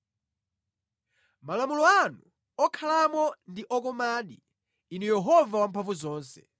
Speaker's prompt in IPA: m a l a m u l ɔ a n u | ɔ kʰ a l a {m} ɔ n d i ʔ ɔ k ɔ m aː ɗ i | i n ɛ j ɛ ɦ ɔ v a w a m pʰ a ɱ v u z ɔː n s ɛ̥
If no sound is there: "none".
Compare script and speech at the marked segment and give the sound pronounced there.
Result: m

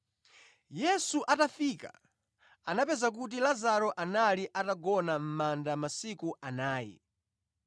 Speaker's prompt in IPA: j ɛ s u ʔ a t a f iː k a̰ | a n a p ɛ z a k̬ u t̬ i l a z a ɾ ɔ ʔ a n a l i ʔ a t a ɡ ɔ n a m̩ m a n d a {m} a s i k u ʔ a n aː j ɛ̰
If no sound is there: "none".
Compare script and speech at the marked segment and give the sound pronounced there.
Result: m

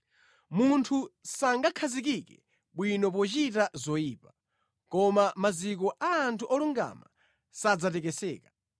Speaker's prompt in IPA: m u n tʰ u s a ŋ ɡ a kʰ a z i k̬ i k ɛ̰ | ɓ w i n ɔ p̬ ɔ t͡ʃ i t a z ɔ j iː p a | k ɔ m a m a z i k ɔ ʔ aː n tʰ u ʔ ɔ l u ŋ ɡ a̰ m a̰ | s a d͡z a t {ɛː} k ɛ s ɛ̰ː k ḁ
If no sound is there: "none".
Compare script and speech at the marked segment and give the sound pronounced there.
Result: ɛ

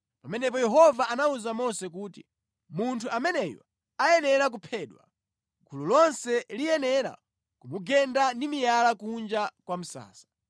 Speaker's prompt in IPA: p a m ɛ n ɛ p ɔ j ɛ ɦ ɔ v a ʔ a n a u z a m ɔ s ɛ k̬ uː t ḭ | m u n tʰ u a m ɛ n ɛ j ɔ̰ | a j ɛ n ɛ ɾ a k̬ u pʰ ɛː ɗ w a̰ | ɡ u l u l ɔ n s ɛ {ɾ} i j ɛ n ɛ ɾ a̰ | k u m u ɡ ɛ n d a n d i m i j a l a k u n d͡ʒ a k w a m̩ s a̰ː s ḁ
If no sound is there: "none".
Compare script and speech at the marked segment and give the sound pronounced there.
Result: l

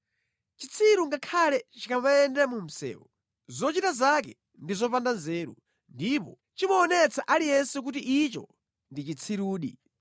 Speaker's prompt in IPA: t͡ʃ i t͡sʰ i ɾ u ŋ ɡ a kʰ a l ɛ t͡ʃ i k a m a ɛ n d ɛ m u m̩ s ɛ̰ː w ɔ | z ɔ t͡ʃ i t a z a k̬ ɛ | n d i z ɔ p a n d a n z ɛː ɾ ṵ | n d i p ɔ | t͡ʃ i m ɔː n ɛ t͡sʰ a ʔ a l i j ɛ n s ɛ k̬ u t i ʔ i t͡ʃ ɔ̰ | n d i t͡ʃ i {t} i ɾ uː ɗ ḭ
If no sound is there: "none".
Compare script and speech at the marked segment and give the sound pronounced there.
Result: t͡sʰ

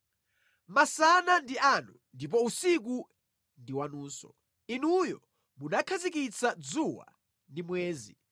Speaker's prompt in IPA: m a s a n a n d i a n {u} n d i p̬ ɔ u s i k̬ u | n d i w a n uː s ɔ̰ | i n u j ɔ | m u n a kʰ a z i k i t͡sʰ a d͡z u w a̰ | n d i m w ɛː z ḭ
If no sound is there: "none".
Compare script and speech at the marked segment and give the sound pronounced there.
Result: u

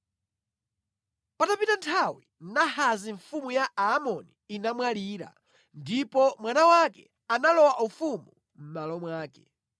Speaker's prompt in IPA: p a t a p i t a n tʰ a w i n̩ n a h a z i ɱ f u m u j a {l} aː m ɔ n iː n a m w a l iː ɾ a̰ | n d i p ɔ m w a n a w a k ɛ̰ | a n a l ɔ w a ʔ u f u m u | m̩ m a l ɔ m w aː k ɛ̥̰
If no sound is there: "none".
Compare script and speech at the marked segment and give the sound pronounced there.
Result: none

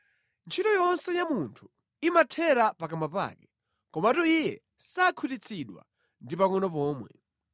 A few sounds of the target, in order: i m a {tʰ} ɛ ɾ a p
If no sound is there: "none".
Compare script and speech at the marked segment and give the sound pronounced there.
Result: tʰ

